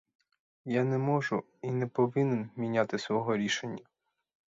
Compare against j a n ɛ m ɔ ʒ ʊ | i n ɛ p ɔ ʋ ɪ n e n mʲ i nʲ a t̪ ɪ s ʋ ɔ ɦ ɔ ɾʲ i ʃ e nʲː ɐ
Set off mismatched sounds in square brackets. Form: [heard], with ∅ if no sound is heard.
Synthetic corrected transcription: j a n ɛ m ɔ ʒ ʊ | i n ɛ p ɔ ʋ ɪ n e n mʲ i nʲ a t̪ ɪ s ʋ ɔ ɦ ɔ ɾʲ i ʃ e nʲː ɐ